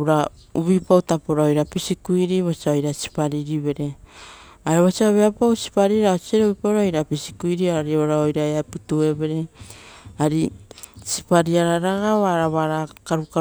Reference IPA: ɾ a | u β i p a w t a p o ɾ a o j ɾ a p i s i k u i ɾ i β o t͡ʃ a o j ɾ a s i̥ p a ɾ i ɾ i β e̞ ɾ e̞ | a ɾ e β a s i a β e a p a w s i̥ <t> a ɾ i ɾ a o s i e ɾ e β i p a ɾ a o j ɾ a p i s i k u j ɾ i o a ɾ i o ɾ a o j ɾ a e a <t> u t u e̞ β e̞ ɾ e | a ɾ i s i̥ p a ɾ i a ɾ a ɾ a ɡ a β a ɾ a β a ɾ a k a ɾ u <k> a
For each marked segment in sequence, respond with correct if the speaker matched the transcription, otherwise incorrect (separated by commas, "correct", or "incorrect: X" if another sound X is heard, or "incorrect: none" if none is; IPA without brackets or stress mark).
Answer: incorrect: p, incorrect: p, correct